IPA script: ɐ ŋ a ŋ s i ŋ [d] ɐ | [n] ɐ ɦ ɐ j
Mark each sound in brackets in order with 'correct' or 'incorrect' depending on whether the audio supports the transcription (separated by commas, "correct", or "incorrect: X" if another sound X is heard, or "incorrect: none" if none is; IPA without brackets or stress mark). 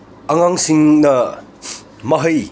incorrect: n, incorrect: m